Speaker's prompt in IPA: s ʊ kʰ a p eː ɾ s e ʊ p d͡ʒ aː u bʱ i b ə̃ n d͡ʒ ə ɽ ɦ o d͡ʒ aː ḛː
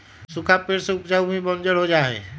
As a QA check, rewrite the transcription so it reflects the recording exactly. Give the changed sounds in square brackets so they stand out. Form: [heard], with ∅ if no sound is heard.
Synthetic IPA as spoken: s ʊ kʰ a p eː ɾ s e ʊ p d͡ʒ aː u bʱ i b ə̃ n d͡ʒ ə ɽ ɦ o d͡ʒ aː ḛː